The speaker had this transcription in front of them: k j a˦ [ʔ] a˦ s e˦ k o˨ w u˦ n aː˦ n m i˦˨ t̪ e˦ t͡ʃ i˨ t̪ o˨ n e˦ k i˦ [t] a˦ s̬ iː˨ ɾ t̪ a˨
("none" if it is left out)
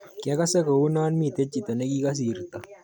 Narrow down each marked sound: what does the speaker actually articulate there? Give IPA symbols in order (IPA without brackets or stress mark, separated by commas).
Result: k, k